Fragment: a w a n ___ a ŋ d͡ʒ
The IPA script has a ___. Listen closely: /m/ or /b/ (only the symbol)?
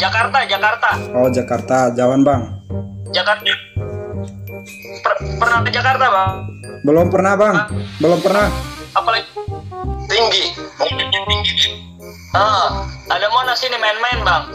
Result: b